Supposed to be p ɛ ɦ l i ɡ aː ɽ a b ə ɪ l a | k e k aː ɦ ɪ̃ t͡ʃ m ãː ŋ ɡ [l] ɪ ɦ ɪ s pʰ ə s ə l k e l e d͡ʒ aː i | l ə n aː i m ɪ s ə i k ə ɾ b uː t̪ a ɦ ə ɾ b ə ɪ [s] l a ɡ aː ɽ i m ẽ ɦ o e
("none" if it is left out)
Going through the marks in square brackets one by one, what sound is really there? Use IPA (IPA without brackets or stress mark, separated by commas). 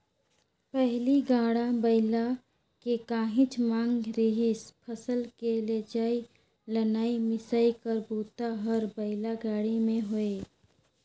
ɾ, none